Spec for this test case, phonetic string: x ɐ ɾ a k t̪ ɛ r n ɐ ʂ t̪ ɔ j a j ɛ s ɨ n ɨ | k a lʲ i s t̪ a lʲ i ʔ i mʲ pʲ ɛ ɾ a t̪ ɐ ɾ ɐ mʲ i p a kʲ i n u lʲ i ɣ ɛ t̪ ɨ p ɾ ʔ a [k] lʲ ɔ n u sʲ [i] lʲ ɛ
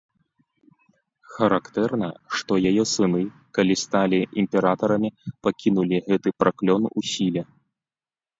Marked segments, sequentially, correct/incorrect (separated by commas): correct, correct